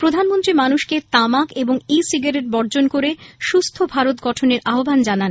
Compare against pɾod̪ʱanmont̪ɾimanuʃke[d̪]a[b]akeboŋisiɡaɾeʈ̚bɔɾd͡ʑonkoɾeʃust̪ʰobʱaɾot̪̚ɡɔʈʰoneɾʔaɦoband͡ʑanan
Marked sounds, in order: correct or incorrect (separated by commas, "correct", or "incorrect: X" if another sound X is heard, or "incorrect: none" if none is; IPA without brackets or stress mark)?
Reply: incorrect: t̪, incorrect: m